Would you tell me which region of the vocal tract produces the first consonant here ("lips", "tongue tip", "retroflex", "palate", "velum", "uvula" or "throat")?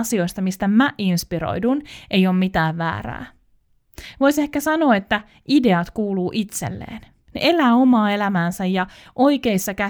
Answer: tongue tip